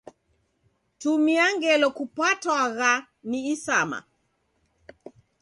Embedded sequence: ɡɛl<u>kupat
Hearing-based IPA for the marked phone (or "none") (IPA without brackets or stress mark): ɔ